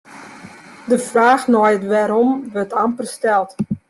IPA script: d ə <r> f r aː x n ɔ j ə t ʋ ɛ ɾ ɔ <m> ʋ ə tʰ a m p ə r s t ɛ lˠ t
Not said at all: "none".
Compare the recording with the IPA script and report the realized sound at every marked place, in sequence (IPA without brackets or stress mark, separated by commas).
none, m